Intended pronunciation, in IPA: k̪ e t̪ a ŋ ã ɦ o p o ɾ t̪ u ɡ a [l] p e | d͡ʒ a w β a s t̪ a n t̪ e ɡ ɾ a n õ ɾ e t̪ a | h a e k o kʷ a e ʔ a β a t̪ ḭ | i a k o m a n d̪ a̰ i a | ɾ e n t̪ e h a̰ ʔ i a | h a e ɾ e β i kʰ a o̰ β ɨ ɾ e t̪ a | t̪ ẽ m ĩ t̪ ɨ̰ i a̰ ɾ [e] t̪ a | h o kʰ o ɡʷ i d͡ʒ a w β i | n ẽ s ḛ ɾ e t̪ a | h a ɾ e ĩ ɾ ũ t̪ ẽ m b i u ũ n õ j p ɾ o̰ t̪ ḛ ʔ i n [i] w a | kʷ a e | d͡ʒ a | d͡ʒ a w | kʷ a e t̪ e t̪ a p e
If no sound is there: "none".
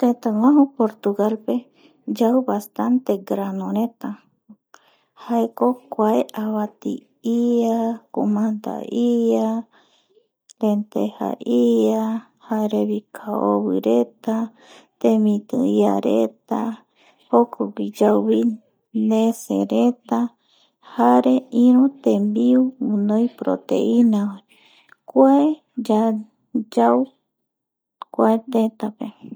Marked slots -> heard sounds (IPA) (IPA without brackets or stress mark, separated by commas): l, e, a